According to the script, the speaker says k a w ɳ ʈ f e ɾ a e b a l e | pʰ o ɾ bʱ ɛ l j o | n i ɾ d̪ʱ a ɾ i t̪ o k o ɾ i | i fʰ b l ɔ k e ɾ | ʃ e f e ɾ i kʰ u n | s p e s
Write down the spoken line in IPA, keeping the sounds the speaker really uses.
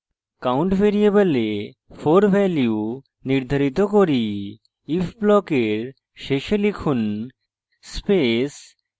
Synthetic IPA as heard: k a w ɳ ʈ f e ɾ i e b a l e | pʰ o ɾ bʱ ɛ l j u | n i ɾ d̪ʱ a ɾ i t̪ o k o ɾ i | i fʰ b l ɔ k e ɾ | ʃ e ʃ e l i kʰ u n | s p e s